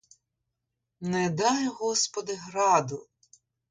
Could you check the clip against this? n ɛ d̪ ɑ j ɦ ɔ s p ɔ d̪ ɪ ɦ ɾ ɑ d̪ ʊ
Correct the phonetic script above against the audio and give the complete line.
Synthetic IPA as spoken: n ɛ d̪ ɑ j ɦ ɔ s p ɔ d̪ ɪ ɦ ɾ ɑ d̪ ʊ